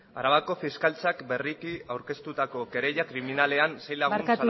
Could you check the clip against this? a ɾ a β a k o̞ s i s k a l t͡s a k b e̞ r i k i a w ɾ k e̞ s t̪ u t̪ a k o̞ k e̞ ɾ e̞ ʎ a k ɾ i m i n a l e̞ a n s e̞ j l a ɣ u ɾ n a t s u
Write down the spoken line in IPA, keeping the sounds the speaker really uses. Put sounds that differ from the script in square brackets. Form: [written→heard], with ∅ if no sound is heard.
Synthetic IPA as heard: a ɾ a β a k o̞ [s→f] i s k a l t͡s a k b e̞ r i k i a w ɾ k e̞ s t̪ u t̪ a k o̞ k e̞ ɾ e̞ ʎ a k ɾ i m i n a l e̞ a n s e̞ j l a ɣ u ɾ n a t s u

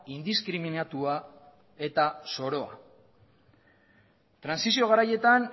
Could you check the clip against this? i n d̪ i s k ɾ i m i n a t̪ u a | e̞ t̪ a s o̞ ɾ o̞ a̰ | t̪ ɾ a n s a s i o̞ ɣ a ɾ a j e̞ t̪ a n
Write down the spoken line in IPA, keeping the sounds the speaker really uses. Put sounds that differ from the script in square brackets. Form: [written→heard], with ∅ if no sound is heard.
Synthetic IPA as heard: i n d̪ i s k ɾ i m i n a t̪ u a | e̞ t̪ a s o̞ ɾ o̞ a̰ | t̪ ɾ a n s [a→i] s i o̞ ɣ a ɾ a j e̞ t̪ a n

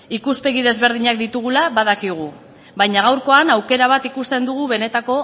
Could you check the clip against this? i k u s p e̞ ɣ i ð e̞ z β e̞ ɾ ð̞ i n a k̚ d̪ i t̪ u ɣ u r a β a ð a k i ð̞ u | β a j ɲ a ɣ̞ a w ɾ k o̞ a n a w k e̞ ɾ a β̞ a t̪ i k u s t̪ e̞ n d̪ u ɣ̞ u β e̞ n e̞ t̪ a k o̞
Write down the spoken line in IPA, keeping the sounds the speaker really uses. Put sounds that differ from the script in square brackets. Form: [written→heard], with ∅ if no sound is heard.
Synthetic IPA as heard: i k u s p e̞ ɣ i ð e̞ z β e̞ ɾ ð̞ i [n→ɲ] a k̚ d̪ i t̪ u ɣ u [r→l] a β a ð a k i [ð̞→ɣ̞] u | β a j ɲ a ɣ̞ a w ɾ k o̞ a n a w k e̞ ɾ a β̞ a t̪ i k u s t̪ e̞ n d̪ u ɣ̞ u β e̞ n e̞ t̪ a k o̞

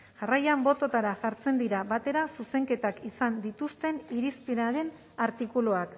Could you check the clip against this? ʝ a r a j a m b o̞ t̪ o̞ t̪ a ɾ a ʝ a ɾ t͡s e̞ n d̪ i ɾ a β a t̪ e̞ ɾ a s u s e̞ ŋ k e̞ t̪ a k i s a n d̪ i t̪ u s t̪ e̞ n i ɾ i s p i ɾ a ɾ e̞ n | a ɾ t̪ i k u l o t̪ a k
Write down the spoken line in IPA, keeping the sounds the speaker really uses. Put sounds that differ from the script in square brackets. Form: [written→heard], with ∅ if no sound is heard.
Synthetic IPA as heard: ʝ a r a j a m b o̞ t̪ o̞ t̪ a ɾ a ʝ a ɾ t͡s e̞ n d̪ i ɾ a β a t̪ e̞ ɾ a s u s e̞ ŋ k e̞ t̪ a k i s a n d̪ i t̪ u s t̪ e̞ n i ɾ i s p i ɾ a ɾ e̞ n | a ɾ t̪ i k u l o [t̪→∅] a k

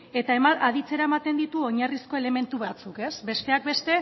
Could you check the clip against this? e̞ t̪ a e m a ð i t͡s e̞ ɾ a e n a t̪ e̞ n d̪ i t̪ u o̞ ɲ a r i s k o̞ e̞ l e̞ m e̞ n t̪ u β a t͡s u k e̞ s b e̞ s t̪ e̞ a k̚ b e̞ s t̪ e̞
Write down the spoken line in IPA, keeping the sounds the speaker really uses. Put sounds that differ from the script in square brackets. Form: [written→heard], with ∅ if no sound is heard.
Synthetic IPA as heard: e̞ t̪ a e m a ð i t͡s e̞ ɾ a e [n→m] a t̪ e̞ n d̪ i t̪ u o̞ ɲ a r i s k o̞ e̞ l e̞ m e̞ n t̪ u β a t͡s u k e̞ s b e̞ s t̪ e̞ a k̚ b e̞ s t̪ e̞

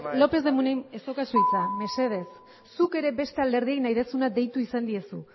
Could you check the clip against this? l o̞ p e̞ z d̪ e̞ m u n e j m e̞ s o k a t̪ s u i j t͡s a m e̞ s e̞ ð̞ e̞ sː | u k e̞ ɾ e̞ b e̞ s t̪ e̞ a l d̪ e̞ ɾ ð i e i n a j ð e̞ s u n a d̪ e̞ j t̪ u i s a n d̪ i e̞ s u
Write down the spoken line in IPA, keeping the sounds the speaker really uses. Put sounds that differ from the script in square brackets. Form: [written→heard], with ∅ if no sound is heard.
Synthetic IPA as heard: l o̞ p e̞ z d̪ e̞ m u n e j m e̞ s o k a [t̪→∅] s u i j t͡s a m e̞ s e̞ ð̞ e̞ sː | u k e̞ ɾ e̞ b e̞ s t̪ e̞ a l d̪ e̞ ɾ ð i e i n a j ð e̞ s u n a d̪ e̞ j t̪ u i s a n d̪ i e̞ s u

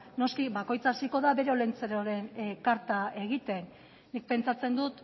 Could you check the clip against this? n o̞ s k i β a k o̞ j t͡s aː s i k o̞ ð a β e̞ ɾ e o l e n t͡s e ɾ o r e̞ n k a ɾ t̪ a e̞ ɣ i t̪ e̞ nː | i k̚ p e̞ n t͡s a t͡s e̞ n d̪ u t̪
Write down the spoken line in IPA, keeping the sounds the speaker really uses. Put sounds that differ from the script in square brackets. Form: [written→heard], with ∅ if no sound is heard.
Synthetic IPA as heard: n o̞ s k i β a k o̞ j t͡s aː s i k o̞ ð a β e̞ ɾ e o l e n t͡s e ɾ o [r→ɾ] e̞ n k a ɾ t̪ a e̞ ɣ i t̪ e̞ nː | i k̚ p e̞ n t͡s a t͡s e̞ n d̪ u t̪

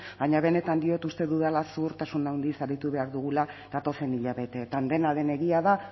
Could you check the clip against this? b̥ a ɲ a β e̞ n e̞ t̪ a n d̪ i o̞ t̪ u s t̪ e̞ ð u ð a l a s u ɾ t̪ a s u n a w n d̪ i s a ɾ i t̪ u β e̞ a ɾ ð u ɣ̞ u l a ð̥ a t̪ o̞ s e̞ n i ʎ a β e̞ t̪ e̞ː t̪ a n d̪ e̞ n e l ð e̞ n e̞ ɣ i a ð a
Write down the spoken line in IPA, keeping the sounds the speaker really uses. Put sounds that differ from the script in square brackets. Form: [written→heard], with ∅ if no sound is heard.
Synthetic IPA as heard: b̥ a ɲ a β e̞ n e̞ t̪ a n d̪ i o̞ t̪ u s t̪ e̞ ð u ð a l a s u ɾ t̪ a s u n a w n d̪ i s a ɾ i t̪ u β e̞ a ɾ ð u ɣ̞ u l a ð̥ a t̪ o̞ s e̞ n i ʎ a β e̞ t̪ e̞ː t̪ a n d̪ e̞ n [e→a] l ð e̞ n e̞ ɣ i a ð a

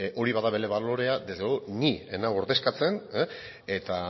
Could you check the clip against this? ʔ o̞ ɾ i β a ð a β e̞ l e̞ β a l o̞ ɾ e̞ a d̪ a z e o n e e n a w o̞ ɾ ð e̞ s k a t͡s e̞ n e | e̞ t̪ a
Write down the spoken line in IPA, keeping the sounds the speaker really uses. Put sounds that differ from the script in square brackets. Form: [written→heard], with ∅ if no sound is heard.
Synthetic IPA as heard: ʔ o̞ ɾ i β a ð a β e̞ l e̞ β a l o̞ ɾ e̞ a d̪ [a→e] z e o n [e→i] e n a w o̞ ɾ ð e̞ s k a t͡s e̞ n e | e̞ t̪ a

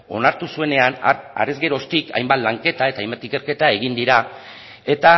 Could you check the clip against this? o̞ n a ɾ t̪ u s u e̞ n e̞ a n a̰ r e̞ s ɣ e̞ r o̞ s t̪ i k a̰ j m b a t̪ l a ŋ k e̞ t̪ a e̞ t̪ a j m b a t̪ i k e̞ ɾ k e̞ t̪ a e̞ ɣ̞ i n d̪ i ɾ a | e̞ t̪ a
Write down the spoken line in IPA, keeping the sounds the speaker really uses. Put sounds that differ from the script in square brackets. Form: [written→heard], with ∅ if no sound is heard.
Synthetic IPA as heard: o̞ n a ɾ t̪ u s u e̞ n e̞ a n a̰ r e̞ [s→z] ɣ e̞ [r→ɾ] o̞ s t̪ i k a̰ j m b a t̪ l a ŋ k e̞ t̪ a e̞ t̪ a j m b a t̪ i k e̞ ɾ k e̞ t̪ a e̞ ɣ̞ i n d̪ i ɾ a | e̞ t̪ a

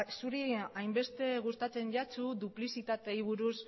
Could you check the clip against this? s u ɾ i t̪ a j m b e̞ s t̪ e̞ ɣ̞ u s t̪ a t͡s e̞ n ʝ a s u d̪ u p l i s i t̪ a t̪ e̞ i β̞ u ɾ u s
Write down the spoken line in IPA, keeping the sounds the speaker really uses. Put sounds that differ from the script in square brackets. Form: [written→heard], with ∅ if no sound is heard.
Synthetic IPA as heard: s u ɾ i [t̪→∅] a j m b e̞ s t̪ e̞ ɣ̞ u s t̪ a t͡s e̞ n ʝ a [s→t͡s] u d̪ u p l i s i t̪ a t̪ e̞ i β̞ u ɾ u s

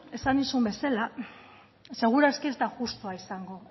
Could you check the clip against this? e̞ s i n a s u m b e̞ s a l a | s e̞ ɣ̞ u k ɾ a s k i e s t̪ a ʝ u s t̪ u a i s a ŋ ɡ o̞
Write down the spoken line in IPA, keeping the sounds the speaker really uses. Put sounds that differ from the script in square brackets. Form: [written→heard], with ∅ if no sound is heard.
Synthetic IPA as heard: e̞ s [i→a] n [a→i] s u m b e̞ s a l a | s e̞ ɣ̞ u [k→∅] ɾ a s k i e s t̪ a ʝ u s t̪ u a i s a ŋ ɡ o̞

